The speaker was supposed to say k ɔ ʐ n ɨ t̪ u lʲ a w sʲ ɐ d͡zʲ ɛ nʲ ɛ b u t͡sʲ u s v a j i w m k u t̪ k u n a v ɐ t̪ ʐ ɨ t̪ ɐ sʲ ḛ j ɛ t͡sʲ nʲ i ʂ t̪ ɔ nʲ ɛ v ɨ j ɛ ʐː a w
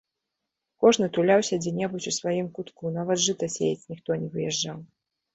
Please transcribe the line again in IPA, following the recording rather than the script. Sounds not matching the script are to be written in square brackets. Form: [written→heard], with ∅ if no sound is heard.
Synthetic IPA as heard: k ɔ ʐ n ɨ t̪ u lʲ a w sʲ ɐ d͡zʲ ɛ nʲ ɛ b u t͡sʲ u s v a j i [w→∅] m k u t̪ k u n a v ɐ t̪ ʐ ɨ t̪ ɐ sʲ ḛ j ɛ t͡sʲ nʲ i [ʂ→x] t̪ ɔ nʲ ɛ v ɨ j ɛ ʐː a w